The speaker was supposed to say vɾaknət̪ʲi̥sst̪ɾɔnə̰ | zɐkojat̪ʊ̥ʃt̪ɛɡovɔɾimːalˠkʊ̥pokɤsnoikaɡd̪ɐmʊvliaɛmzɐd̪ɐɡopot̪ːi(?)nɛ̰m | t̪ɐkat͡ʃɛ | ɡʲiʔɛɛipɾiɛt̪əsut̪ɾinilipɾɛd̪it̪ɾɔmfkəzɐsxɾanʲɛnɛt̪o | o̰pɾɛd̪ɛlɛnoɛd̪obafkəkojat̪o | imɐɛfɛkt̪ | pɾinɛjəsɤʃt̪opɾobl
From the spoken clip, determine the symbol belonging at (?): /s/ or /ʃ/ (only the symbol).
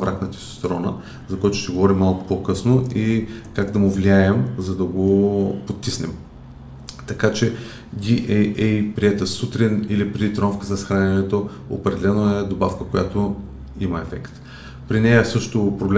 s